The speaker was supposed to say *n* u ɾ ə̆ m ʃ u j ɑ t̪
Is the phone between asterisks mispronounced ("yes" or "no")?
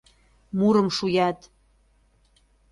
yes